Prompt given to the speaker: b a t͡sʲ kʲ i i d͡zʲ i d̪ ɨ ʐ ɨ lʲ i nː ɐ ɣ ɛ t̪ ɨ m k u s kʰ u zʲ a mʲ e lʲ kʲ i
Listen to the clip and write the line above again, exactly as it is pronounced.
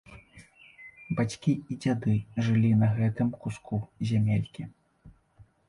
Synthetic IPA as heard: b a t͡sʲ kʲ i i d͡zʲ a d̪ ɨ ʐ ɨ lʲ i n ɐ ɣ ɛ t̪ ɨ m k u s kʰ u zʲ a mʲ e lʲ kʲ i